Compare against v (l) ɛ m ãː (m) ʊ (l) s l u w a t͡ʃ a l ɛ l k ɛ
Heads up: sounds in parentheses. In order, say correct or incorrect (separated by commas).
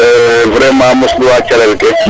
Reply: incorrect, correct, incorrect